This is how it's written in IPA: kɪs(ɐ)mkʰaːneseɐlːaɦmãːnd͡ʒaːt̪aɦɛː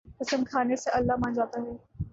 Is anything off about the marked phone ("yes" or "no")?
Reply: yes